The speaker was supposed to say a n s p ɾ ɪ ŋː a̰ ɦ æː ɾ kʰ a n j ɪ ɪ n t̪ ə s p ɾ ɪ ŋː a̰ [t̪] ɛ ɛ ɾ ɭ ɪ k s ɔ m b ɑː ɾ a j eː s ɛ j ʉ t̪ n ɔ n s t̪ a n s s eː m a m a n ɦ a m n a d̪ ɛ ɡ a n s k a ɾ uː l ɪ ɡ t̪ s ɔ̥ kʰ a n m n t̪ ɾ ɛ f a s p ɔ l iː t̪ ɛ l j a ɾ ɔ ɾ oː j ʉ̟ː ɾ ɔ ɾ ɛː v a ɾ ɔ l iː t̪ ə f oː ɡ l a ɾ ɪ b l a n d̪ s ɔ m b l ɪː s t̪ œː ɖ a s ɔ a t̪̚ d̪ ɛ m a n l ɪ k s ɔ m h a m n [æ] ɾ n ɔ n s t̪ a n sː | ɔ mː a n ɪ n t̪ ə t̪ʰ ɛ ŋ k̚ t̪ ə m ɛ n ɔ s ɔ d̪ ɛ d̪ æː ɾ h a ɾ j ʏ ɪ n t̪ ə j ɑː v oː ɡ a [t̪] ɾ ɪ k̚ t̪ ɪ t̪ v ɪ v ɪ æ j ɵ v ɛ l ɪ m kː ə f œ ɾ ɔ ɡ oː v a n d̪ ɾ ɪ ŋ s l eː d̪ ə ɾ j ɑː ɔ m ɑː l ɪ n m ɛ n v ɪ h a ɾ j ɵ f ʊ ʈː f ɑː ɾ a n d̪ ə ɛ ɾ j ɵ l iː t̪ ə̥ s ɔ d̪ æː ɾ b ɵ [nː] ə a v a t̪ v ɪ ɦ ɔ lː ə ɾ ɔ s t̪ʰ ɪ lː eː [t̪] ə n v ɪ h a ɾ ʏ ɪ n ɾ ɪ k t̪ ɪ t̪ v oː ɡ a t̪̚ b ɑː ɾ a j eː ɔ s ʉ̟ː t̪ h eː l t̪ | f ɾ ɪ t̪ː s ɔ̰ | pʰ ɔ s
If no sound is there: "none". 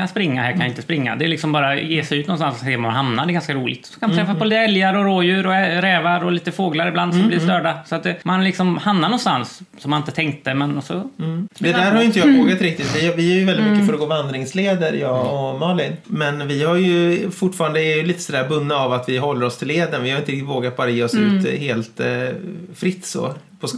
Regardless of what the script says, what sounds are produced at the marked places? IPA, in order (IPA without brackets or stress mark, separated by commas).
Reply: d̪, a, t̪, nː, d̪